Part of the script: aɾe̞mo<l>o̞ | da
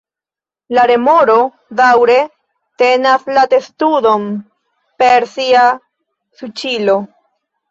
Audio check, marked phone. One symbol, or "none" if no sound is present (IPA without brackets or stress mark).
ɾ